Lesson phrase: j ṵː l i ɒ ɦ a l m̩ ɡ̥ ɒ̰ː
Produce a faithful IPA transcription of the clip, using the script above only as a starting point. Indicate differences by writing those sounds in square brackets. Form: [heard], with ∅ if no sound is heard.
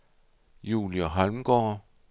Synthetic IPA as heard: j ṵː l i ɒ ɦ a l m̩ ɡ̥ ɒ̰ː